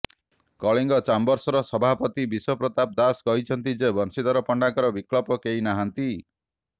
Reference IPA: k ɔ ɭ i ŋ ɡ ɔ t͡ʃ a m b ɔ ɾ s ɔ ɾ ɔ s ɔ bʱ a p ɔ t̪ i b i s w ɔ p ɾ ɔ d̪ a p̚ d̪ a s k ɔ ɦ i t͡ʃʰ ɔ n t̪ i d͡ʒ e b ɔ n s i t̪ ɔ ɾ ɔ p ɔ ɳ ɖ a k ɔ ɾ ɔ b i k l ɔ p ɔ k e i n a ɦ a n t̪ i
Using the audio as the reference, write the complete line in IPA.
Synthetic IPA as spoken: k ɔ ɭ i ŋ ɡ ɔ t͡ʃ a m b ɔ ɾ s ɔ ɾ ɔ s ɔ bʱ a p ɔ t̪ i b i s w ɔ p ɾ ɔ t̪ a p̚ d̪ a s k ɔ ɦ i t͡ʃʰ ɔ n t̪ i d͡ʒ e b ɔ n s i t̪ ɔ ɾ ɔ p ɔ ɳ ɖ a k ɔ ɾ ɔ b i k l ɔ p ɔ k e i n a ɦ a n t̪ i